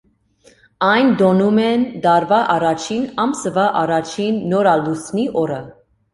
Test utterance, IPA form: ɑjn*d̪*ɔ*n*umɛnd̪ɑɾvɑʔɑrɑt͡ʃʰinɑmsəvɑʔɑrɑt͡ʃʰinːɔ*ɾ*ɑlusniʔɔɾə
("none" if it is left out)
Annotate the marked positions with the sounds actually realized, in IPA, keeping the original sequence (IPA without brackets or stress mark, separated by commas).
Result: d̪, n, ɾ